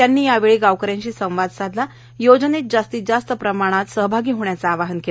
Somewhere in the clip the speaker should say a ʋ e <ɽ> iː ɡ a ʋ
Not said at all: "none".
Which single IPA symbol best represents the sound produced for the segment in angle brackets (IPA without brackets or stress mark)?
ɭ